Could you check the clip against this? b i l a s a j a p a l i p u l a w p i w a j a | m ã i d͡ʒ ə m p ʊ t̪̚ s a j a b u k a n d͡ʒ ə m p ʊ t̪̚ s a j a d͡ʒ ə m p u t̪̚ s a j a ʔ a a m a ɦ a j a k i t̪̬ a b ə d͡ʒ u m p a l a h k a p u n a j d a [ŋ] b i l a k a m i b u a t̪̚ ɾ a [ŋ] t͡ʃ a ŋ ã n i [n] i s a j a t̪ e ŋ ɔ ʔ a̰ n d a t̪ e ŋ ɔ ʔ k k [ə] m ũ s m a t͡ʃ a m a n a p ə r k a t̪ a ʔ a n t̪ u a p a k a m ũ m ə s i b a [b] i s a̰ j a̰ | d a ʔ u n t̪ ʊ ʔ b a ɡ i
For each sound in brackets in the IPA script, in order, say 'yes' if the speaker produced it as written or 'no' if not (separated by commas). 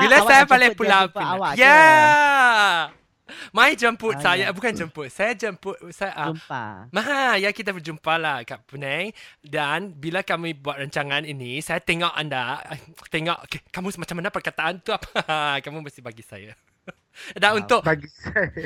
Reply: no, no, yes, no, no